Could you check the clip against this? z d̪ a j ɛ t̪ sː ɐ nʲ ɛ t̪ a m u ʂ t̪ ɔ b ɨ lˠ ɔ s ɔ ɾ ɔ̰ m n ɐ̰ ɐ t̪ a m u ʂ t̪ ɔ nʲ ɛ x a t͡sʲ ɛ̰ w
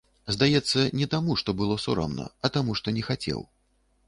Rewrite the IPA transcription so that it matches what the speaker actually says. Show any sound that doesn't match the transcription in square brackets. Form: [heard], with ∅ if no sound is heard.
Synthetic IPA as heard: z d̪ a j ɛ t̪ sː ɐ nʲ ɛ t̪ a m u ʂ t̪ ɔ b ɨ lˠ ɔ s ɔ ɾ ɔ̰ m n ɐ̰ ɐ t̪ a m u ʂ t̪ ɔ nʲ ɛ x a t͡sʲ ɛ̰ w